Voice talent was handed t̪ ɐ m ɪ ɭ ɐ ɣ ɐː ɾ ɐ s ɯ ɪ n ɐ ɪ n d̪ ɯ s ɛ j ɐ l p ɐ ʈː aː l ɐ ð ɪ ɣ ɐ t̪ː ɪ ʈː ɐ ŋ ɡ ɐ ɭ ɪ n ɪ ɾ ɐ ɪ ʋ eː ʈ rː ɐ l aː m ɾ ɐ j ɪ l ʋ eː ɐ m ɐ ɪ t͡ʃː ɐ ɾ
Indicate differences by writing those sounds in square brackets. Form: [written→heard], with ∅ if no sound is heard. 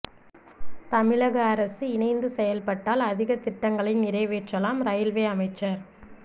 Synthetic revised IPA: t̪ ɐ m ɪ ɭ ɐ ɣ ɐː ɾ ɐ s ɯ ɪ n ɐ ɪ n d̪ ɯ s ɛ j ɐ l p ɐ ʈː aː l ɐ ð ɪ ɣ ɐ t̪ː ɪ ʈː ɐ ŋ ɡ ɐ ɭ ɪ n ɪ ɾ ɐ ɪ ʋ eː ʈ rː ɐ l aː m ɾ ɐ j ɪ l ʋ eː ɐ m ɐ ɪ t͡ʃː ɐ ɾ